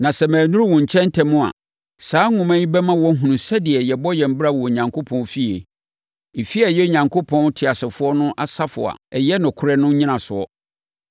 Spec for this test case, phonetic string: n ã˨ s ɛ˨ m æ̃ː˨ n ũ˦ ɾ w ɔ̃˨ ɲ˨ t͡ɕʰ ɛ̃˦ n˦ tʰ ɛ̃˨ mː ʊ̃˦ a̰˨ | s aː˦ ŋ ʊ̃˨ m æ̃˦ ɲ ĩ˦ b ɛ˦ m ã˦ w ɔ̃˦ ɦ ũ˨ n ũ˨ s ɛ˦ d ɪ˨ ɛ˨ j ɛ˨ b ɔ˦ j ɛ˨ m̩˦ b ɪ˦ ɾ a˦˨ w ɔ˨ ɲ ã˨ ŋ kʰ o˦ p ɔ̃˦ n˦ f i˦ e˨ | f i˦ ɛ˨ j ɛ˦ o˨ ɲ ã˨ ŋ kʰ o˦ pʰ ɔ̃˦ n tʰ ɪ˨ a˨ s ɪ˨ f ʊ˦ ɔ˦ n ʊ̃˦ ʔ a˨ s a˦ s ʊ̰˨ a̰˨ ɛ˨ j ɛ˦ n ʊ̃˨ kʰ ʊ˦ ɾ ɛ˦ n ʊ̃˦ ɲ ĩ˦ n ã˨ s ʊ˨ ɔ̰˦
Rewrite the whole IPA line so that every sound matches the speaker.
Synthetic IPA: n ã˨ s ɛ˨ m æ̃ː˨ n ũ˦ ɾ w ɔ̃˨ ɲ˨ t͡ɕʰ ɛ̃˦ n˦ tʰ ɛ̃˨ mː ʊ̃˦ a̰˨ | s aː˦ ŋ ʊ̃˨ m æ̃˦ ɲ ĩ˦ b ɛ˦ m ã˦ w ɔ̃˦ ɦ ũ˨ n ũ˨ s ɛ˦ d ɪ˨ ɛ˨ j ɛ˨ b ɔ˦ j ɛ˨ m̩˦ b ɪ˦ ɾ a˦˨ w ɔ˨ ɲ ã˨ ŋ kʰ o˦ pʰ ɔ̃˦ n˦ f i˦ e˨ | f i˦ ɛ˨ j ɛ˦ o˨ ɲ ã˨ ŋ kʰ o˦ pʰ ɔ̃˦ n tʰ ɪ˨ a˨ s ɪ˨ f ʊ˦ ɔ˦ n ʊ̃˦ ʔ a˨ s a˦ f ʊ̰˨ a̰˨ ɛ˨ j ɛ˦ n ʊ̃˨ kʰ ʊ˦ ɾ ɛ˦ n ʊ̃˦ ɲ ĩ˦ n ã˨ s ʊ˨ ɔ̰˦